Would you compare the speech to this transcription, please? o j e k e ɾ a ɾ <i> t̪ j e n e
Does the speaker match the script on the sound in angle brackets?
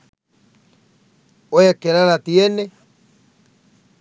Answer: no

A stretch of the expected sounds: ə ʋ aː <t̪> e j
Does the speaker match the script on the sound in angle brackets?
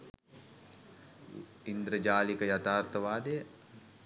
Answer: no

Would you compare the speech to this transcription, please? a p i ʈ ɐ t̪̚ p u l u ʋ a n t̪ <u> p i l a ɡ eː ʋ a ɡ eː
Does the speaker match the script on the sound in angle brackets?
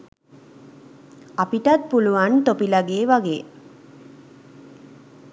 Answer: no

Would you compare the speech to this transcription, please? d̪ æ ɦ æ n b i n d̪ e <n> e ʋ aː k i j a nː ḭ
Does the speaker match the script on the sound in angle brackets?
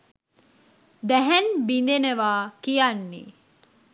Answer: yes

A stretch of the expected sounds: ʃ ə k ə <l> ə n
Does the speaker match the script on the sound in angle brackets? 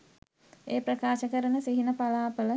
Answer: no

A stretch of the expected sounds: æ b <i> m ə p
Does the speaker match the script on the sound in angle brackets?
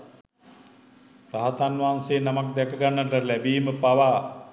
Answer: no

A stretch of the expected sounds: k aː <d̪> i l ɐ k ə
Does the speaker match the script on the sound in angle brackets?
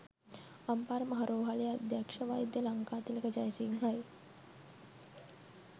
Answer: no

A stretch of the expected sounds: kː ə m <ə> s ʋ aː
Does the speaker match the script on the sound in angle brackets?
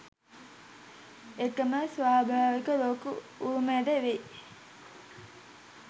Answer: yes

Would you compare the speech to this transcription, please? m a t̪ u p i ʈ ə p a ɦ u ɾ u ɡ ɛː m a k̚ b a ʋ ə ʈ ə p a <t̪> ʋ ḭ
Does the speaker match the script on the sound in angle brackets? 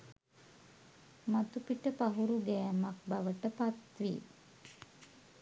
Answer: yes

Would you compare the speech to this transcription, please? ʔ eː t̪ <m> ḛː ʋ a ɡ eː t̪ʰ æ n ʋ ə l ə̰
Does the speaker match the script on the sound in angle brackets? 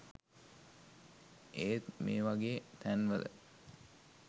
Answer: yes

